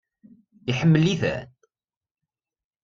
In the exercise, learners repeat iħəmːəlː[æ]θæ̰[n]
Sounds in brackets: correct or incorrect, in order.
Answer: incorrect, correct

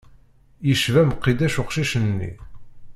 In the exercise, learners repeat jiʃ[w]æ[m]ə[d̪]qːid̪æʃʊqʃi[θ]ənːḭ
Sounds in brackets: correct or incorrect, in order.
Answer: incorrect, correct, incorrect, incorrect

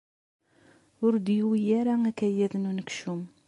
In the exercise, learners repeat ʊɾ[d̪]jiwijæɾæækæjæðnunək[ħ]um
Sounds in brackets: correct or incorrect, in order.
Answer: correct, incorrect

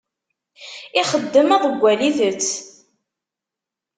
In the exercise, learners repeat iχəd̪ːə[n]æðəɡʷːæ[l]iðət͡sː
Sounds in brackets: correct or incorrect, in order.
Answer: incorrect, correct

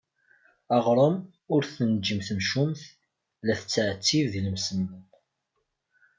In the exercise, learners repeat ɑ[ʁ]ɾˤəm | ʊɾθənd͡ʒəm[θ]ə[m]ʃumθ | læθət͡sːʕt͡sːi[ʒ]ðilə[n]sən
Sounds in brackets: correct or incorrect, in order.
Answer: correct, correct, correct, incorrect, incorrect

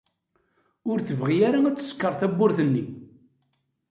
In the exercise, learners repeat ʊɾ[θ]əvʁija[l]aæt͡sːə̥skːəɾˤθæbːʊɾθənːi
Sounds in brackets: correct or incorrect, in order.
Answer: correct, incorrect

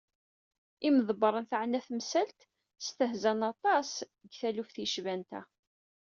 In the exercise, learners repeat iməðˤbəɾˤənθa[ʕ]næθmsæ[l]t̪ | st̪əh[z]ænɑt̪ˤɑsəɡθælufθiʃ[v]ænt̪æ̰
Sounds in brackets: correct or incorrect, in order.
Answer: correct, correct, correct, correct

